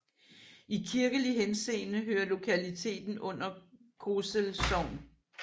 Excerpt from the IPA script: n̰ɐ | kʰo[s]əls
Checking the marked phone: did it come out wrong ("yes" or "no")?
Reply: no